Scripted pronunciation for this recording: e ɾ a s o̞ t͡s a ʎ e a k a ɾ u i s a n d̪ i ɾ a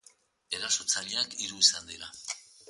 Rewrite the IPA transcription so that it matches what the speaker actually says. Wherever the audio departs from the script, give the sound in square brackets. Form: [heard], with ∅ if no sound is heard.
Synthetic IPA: e ɾ a s o̞ t͡s a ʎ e a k [i] ɾ u i s a n d̪ i ɾ a